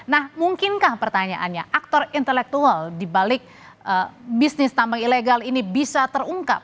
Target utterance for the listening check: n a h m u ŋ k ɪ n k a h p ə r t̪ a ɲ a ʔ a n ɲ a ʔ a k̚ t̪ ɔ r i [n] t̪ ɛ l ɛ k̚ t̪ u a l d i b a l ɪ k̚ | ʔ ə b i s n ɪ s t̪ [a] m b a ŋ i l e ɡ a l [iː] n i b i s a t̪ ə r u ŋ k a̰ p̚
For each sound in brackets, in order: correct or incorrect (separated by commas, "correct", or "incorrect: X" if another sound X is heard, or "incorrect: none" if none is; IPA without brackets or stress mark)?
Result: correct, correct, incorrect: i